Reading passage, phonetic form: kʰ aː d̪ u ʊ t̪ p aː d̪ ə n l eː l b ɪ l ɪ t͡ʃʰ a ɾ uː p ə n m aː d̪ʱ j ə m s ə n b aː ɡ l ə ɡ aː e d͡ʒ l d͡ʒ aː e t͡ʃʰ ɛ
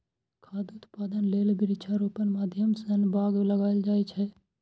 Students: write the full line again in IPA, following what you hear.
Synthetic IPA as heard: kʰ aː d̪ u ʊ t̪ p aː d̪ ə n l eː l b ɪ ɾ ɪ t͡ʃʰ a ɾ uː p ə n m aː d̪ʱ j ə m s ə n b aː ɡ l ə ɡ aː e l d͡ʒ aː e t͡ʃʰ ɛ